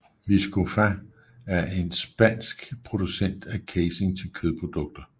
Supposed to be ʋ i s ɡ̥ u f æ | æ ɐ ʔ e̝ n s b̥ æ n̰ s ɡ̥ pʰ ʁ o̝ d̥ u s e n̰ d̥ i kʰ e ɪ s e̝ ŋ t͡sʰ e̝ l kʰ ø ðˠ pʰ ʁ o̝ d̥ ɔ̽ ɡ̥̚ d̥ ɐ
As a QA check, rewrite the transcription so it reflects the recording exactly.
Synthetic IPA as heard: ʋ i s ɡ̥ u f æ | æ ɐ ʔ e̝ n s b̥ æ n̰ s ɡ̥ pʰ ʁ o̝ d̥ u s e n̰ d̥ æ kʰ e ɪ s e̝ ŋ t͡sʰ e̝ l kʰ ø ðˠ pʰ ʁ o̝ d̥ ɔ̽ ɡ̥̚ d̥ ɐ